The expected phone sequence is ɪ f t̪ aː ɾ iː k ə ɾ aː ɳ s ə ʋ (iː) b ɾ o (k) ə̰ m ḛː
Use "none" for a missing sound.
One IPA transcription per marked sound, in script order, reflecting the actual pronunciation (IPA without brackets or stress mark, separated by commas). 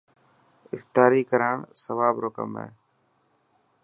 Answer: aː, k